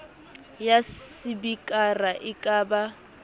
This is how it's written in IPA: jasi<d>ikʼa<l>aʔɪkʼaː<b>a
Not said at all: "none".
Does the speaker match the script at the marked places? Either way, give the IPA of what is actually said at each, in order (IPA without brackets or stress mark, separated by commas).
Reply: b, r, b